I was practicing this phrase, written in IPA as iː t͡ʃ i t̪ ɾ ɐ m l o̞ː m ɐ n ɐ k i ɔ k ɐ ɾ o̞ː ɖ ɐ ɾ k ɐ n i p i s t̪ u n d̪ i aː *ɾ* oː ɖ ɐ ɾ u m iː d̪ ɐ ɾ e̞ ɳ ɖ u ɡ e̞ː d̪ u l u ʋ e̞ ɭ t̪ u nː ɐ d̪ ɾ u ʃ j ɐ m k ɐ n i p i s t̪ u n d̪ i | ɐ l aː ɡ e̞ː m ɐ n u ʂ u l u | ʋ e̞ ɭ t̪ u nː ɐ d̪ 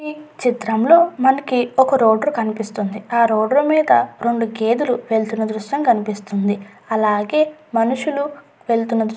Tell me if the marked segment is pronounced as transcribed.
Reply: yes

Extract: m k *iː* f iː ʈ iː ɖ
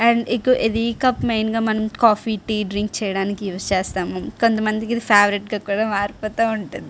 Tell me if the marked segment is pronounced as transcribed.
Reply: no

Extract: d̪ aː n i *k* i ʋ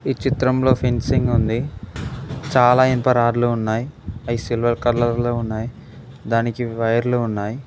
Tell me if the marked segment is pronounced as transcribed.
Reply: yes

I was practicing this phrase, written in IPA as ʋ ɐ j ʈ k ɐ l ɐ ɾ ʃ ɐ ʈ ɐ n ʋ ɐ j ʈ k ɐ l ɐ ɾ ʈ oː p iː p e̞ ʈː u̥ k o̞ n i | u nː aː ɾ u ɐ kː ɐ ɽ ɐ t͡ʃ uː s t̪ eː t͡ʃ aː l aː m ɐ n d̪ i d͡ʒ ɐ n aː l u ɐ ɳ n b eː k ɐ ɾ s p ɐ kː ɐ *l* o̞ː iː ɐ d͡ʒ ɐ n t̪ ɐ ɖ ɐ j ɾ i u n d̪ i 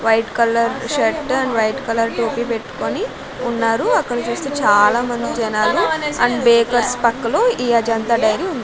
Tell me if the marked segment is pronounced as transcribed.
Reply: yes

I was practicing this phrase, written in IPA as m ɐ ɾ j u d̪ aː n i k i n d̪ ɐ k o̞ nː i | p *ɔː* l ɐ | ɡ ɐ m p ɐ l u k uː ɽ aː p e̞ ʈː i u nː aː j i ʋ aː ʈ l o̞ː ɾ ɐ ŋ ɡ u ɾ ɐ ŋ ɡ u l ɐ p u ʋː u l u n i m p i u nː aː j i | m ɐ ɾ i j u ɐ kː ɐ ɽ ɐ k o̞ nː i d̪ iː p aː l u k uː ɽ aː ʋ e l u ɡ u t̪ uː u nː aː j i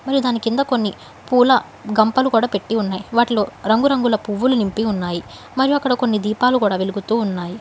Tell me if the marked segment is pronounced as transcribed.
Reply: no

